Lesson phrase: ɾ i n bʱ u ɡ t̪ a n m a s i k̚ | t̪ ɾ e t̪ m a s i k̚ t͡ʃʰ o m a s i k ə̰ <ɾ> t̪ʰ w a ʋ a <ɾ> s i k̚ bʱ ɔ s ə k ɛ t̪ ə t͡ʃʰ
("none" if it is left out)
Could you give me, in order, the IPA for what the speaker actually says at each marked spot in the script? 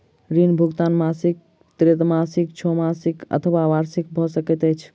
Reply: none, ɾ

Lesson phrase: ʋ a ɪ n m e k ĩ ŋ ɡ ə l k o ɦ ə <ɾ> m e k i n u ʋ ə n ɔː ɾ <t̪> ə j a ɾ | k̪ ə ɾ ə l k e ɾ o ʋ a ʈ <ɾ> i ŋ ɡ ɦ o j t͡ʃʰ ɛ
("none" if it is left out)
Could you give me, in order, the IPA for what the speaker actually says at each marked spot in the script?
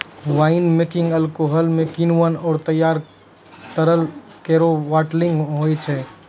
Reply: l, t̪, l

